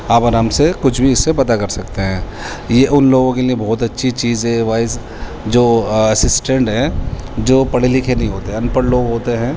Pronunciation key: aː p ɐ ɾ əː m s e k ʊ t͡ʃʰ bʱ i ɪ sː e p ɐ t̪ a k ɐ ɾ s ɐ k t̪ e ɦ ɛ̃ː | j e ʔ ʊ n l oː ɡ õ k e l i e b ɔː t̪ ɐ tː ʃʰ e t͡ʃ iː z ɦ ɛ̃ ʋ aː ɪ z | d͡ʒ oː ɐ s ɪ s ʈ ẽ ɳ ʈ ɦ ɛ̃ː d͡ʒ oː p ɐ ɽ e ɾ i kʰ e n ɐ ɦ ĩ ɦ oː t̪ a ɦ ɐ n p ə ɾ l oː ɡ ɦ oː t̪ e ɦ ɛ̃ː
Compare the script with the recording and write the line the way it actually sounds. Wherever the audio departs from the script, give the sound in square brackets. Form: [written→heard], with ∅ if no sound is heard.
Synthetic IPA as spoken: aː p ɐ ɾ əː m s e k ʊ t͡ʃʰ bʱ i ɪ sː e p ɐ t̪ a k ɐ ɾ s ɐ k t̪ e ɦ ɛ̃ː | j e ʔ ʊ n l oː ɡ õ k e l i e b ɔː t̪ ɐ tː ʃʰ [e→i] t͡ʃ iː z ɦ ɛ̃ ʋ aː ɪ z | d͡ʒ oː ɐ s ɪ s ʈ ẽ ɳ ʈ ɦ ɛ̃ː d͡ʒ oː p ɐ ɽ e [ɾ→l] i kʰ e n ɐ ɦ ĩ ɦ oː t̪ [a→e] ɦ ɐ n p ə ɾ l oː ɡ ɦ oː t̪ e ɦ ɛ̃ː